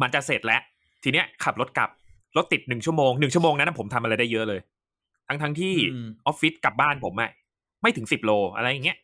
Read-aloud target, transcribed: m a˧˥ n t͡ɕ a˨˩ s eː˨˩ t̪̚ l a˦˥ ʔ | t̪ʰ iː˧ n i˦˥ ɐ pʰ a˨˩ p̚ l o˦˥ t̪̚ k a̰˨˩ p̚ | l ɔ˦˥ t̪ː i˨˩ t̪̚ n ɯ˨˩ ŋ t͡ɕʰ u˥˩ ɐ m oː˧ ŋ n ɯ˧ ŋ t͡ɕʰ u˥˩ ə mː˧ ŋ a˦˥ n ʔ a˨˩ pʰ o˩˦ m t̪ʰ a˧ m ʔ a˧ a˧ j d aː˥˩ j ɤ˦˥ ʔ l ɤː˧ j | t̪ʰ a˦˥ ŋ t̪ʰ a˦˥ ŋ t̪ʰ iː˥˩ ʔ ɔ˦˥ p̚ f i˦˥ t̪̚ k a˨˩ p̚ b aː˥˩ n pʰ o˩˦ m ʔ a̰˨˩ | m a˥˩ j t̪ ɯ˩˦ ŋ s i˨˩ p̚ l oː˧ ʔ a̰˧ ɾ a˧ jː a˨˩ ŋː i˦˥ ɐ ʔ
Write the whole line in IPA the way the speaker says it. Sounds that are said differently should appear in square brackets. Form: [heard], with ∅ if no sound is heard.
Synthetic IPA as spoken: m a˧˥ n t͡ɕ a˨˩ s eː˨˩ t̪̚ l [ɛ˦˥] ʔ | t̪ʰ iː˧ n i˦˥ ɐ [kʰ] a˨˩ p̚ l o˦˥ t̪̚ k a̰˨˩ p̚ | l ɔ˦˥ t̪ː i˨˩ t̪̚ n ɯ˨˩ ŋ t͡ɕʰ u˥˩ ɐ m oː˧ ŋ n [ɯ˨˩] ŋ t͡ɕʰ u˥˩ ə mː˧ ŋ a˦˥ n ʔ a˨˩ pʰ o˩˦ m t̪ʰ a˧ m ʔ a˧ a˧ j d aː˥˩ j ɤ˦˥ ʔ l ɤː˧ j | t̪ʰ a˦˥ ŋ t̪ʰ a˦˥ ŋ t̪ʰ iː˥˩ ʔ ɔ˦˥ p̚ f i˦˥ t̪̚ k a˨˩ p̚ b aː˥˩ n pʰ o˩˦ m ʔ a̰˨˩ | m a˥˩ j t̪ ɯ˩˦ ŋ s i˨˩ p̚ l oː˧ ʔ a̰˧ ɾ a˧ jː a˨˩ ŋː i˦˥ ɐ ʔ